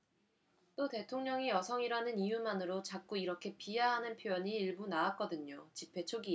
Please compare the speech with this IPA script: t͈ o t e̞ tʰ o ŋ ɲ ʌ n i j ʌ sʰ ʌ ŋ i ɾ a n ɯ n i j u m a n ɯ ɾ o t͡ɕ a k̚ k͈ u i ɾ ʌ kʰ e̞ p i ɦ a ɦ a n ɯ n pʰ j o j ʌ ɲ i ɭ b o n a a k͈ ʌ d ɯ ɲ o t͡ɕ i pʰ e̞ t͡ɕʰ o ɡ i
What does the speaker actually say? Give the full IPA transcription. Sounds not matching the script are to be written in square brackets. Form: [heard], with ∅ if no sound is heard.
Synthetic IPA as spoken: t͈ o t e̞ tʰ o ŋ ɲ ʌ [ŋ] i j ʌ sʰ ʌ ŋ i ɾ a n ɯ n i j u m a n ɯ ɾ o t͡ɕ a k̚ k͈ u i ɾ ʌ kʰ e̞ p i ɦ a ɦ a n ɯ n pʰ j o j ʌ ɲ [iː] ɭ b [u] n a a k͈ ʌ d ɯ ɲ o t͡ɕ i pʰ e̞ t͡ɕʰ o ɡ i